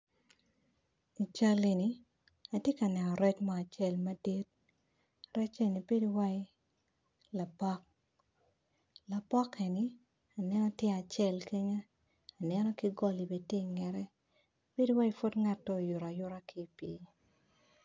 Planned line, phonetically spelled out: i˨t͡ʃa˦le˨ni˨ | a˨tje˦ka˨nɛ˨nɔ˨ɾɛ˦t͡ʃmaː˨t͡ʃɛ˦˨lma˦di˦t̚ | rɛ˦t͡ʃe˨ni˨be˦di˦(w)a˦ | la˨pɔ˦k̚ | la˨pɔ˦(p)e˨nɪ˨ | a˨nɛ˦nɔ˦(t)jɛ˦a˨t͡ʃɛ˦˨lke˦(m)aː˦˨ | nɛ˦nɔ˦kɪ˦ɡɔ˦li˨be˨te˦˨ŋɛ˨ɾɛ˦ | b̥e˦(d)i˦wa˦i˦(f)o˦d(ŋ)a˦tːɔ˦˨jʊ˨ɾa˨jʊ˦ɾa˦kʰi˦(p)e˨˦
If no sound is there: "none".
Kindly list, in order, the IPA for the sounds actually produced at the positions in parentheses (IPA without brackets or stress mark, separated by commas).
w, k, t, ɲ, d, f, ŋ, p